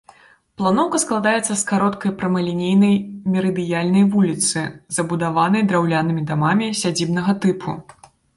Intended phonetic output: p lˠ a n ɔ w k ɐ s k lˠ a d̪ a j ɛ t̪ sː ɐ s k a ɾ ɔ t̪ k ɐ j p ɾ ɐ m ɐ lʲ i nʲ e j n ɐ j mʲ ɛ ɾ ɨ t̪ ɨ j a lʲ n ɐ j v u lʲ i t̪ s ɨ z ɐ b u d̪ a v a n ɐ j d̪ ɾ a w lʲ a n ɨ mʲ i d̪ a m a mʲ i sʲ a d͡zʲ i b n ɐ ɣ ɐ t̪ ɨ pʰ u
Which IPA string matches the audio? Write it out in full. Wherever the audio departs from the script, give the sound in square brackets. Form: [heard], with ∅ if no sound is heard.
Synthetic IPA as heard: p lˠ a n ɔ w k ɐ s k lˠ a d̪ a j ɛ t̪ sː ɐ s k a ɾ ɔ t̪ k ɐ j p ɾ ɐ m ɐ lʲ i nʲ e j n ɐ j mʲ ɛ ɾ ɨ [d̪] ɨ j a lʲ n ɐ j v u lʲ i t̪ s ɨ z ɐ b u d̪ a v a n ɐ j d̪ ɾ a w lʲ a n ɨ mʲ i d̪ a m a mʲ i sʲ a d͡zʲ i b n ɐ ɣ ɐ t̪ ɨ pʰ u